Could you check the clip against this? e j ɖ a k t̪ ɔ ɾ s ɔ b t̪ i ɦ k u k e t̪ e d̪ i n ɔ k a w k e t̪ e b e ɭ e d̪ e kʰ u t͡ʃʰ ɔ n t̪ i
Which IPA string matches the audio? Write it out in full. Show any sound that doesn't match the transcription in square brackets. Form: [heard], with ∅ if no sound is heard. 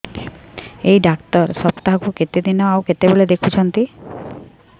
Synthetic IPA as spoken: e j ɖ a k t̪ ɔ ɾ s ɔ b t̪ [a] ɦ k u k e t̪ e d̪ i n ɔ [∅] a w k e t̪ e b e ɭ e d̪ e kʰ u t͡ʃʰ ɔ n t̪ i

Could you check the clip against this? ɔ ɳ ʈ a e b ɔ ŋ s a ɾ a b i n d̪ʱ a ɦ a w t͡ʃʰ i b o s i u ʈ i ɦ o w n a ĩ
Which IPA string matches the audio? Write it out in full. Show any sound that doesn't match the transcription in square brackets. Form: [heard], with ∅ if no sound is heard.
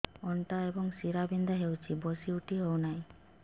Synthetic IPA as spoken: ɔ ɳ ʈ a e b ɔ ŋ s [i] ɾ a b i n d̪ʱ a ɦ [e] w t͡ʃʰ i b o s i u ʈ i ɦ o w n a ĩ

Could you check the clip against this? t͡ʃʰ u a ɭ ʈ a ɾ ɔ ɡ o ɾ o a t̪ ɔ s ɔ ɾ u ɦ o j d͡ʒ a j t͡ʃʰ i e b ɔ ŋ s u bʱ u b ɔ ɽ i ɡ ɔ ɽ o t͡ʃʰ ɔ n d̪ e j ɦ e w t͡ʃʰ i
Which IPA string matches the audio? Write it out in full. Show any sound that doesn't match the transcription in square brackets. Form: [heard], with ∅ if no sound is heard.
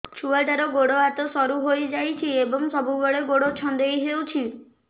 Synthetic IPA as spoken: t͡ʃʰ u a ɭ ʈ a ɾ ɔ ɡ o [ɽ] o a t̪ ɔ s ɔ ɾ u ɦ o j d͡ʒ a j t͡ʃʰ i e b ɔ ŋ s [ɔ] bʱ u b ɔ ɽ [e] ɡ [o] ɽ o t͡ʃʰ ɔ n d̪ e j ɦ e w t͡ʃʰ i

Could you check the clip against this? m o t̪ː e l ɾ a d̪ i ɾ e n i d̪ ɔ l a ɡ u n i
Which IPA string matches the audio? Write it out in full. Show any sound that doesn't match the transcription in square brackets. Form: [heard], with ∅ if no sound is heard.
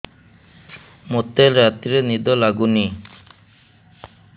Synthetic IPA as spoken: m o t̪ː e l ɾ a [t̪] i ɾ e n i d̪ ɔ l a ɡ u n i

